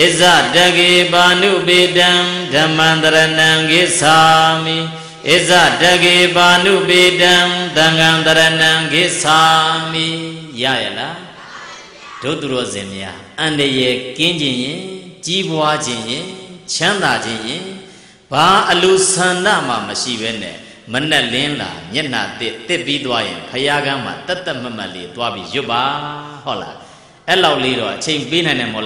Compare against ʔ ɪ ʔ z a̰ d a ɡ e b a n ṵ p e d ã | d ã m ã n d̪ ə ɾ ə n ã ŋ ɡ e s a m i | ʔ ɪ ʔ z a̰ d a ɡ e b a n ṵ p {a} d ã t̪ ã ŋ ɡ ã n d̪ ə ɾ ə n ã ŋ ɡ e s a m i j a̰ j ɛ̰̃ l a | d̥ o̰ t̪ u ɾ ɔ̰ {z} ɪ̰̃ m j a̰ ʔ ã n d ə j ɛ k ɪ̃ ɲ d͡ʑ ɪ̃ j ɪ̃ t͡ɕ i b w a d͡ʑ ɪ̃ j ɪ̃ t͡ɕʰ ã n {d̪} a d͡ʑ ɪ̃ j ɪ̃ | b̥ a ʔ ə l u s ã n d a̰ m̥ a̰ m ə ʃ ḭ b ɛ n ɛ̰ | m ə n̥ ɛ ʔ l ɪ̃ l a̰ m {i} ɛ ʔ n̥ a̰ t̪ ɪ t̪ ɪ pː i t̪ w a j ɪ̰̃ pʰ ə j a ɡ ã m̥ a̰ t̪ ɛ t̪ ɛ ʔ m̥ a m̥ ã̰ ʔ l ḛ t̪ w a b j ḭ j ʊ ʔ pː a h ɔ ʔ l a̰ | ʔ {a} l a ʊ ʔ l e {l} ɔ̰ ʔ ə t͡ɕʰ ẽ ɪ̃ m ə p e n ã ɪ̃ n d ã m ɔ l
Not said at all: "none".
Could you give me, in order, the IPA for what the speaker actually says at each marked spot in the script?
e, z, d̪, j, ɛ, ɾ

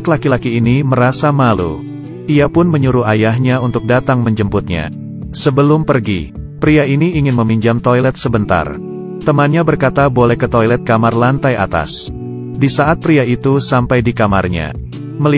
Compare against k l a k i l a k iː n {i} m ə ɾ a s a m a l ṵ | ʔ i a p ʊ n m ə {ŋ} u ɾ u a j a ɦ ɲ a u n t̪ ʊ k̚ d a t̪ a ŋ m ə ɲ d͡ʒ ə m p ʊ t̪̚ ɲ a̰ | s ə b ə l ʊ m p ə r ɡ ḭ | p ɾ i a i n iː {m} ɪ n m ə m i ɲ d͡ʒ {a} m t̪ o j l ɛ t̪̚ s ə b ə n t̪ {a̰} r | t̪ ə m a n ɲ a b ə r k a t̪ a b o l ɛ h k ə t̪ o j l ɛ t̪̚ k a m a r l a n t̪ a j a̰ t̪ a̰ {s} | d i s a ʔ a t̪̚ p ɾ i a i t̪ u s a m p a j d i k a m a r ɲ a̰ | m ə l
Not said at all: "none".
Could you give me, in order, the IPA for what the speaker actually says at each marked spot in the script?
i, ɲ, ŋ, a, a̰, s

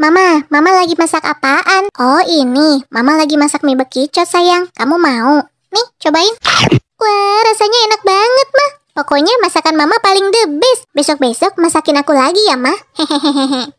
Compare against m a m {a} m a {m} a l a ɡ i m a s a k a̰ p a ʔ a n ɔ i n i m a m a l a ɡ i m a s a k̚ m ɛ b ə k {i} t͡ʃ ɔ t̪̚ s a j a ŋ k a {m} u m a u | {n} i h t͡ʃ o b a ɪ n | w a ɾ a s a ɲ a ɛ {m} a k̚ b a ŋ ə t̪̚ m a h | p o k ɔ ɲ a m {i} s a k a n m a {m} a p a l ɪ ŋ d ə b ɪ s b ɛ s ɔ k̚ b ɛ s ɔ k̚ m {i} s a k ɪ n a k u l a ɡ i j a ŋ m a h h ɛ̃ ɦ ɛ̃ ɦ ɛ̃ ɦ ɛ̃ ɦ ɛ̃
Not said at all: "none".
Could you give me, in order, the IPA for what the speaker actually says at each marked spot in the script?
a, m, i, m, n, n, a, m, a

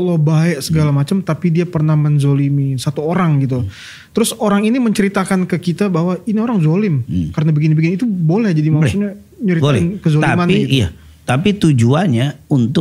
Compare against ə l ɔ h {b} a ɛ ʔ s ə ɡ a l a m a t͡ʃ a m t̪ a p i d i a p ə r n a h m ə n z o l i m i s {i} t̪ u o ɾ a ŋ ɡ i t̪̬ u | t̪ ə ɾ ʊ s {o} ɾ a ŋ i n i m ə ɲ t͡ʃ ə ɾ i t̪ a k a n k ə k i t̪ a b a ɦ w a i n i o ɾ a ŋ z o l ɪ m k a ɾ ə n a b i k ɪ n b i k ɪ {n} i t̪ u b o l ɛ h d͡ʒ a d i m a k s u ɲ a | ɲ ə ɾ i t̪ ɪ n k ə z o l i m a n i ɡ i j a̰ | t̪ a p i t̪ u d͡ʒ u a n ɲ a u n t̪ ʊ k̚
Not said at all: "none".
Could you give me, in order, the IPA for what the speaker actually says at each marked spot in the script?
b, a, o, n

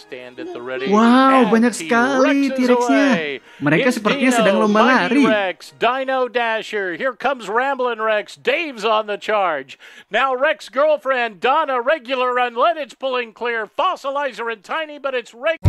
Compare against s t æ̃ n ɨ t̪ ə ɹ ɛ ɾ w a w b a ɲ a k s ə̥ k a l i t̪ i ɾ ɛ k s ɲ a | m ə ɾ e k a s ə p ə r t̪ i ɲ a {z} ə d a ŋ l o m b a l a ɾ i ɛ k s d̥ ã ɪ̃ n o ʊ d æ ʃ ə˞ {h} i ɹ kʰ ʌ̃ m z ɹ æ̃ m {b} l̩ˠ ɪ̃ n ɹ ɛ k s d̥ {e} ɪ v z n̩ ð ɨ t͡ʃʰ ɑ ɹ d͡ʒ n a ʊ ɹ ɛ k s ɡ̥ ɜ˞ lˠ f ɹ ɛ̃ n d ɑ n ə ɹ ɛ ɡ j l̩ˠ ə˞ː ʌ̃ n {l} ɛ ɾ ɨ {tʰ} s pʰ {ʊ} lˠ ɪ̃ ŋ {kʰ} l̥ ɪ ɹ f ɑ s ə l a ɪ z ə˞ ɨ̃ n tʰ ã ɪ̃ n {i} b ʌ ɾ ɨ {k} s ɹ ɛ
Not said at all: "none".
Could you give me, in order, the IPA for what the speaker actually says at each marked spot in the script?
s, h, b, e, l, t, ʊ, kʰ, i, t

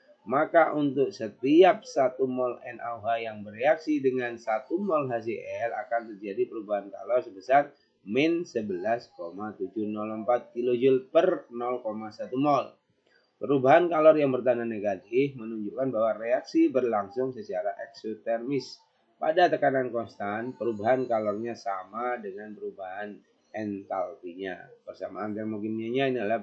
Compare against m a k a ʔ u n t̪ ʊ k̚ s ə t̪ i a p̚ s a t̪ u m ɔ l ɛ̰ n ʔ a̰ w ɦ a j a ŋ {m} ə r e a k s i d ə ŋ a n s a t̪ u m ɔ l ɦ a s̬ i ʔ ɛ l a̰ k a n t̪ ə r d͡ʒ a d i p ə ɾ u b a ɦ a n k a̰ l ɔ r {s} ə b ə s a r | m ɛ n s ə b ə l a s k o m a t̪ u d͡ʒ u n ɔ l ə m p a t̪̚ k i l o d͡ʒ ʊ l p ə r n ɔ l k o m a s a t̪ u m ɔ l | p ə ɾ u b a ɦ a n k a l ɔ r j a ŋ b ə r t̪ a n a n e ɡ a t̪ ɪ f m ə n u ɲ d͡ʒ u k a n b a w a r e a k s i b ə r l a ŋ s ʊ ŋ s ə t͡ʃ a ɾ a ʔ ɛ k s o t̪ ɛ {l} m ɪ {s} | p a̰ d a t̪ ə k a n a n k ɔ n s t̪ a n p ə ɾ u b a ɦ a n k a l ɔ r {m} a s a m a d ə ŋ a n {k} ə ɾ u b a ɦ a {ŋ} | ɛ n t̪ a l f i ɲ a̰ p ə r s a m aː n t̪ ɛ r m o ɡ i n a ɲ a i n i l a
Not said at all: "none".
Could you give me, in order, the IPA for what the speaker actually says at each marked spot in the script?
b, s, r, s, ɲ, p, n

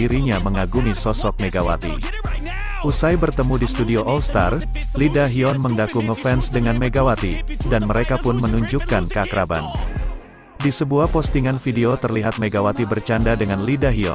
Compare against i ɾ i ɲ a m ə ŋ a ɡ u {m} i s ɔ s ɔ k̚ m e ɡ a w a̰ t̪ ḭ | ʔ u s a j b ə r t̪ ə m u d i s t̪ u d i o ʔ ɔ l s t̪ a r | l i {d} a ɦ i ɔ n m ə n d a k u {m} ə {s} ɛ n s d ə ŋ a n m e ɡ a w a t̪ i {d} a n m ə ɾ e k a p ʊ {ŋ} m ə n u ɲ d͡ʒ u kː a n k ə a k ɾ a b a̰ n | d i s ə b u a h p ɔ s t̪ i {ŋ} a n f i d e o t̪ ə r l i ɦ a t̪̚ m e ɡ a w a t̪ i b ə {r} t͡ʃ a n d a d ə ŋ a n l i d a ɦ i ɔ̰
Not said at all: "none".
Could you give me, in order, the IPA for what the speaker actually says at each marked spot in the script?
m, d, ŋ, f, d, n, ŋ, r

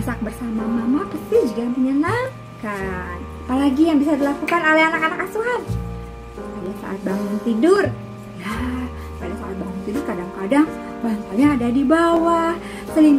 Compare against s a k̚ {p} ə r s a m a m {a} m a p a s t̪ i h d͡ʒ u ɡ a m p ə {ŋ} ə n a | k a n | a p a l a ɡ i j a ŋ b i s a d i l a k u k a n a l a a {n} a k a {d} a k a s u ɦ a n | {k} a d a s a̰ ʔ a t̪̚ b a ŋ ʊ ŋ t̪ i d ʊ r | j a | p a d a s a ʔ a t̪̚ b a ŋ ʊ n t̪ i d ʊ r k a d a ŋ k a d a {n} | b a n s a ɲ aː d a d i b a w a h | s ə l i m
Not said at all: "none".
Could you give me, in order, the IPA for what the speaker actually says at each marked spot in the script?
b, a, ɲ, n, n, p, ŋ

